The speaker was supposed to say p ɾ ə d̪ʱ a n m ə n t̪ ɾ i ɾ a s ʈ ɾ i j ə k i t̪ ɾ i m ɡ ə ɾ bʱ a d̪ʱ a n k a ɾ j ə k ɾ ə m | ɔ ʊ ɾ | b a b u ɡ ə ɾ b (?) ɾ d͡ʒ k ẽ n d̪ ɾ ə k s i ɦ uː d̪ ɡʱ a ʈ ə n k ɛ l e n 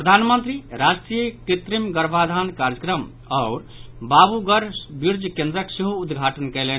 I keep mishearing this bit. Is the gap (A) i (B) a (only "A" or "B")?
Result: A